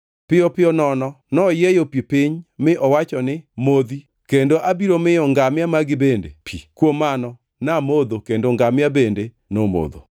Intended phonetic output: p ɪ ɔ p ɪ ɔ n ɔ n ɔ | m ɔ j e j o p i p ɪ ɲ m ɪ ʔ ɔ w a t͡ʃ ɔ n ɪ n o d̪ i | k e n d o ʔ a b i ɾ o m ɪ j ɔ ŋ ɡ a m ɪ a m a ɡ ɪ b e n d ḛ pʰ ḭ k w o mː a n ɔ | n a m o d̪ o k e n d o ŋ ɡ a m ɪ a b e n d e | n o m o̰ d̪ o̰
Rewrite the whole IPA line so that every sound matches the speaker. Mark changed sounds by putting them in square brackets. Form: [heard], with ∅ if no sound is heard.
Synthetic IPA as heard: p ɪ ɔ p ɪ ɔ n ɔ n ɔ | [n] ɔ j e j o p i p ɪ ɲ m ɪ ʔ ɔ w a t͡ʃ ɔ n ɪ [m] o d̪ i | k e n d o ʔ a b i ɾ o m ɪ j ɔ ŋ ɡ a m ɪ a m a ɡ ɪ b e n d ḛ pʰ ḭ k w o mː a n ɔ | n a m o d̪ o k e n d o ŋ ɡ a m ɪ a b e n d e | n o m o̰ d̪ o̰